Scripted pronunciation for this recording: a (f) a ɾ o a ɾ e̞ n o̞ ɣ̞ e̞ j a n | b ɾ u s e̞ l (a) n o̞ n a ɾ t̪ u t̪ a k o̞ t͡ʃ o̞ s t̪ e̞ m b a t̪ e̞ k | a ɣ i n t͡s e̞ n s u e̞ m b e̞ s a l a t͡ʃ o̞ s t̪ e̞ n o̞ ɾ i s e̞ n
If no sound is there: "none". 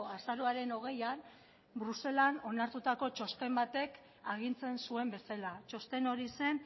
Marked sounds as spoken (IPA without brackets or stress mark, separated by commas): s, a